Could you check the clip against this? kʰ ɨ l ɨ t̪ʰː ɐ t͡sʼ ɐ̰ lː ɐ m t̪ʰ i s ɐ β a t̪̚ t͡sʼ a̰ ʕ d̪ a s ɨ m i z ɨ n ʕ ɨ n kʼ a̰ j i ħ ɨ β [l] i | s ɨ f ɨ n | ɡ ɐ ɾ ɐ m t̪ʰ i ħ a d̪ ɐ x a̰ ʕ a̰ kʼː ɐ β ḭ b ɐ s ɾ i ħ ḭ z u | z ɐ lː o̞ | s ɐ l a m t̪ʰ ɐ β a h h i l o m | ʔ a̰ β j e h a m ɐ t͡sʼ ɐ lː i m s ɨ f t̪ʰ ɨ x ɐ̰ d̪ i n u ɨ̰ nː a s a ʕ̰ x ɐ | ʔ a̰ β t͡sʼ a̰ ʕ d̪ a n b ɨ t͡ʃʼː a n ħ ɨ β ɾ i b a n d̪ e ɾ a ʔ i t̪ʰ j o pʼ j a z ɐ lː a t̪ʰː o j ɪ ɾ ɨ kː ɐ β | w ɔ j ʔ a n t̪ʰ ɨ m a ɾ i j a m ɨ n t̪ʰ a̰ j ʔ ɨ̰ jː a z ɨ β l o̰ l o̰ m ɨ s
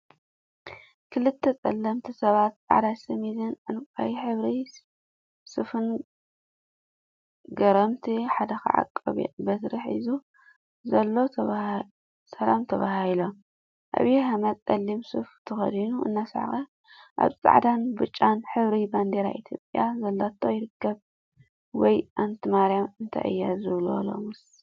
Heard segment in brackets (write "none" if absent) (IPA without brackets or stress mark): ɾ